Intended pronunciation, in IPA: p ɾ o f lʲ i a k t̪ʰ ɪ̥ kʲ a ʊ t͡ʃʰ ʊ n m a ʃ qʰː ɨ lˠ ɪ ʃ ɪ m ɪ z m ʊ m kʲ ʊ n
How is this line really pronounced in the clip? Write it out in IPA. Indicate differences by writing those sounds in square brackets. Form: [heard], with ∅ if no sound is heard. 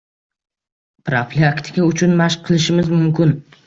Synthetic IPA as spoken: p ɾ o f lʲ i a k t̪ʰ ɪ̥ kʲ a ʊ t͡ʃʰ ʊ n m a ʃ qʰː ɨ lˠ ɪ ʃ ɪ m ɪ z m ʊ m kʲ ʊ n